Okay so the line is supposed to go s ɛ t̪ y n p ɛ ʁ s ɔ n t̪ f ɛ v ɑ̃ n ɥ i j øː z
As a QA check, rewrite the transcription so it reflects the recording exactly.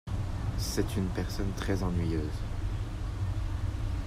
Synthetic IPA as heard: s ɛ t̪ y n p ɛ ʁ s ɔ n t̪ χ ɛ z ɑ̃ n ɥ i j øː z